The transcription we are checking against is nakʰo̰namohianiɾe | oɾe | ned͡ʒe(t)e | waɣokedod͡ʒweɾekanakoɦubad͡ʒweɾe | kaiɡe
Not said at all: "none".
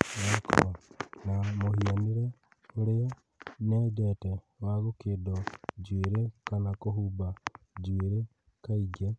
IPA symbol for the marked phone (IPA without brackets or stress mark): t